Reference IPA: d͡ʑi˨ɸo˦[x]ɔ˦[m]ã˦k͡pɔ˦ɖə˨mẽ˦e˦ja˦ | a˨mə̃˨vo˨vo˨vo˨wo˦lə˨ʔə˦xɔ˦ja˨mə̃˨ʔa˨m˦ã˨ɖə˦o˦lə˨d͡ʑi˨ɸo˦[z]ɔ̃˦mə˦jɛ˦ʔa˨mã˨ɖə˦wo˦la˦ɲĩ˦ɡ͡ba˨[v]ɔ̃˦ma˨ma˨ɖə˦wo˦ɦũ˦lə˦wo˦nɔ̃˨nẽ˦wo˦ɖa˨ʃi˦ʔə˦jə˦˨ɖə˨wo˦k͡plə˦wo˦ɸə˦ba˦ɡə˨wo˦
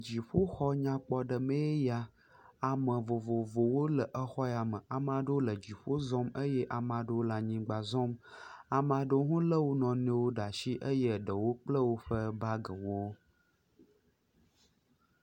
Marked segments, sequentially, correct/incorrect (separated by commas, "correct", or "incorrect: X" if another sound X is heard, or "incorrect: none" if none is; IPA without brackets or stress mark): correct, incorrect: ɲ, correct, incorrect: z